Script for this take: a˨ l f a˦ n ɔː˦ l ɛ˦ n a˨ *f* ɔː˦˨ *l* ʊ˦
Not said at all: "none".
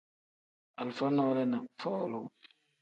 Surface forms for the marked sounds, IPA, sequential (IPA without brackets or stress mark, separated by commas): f, l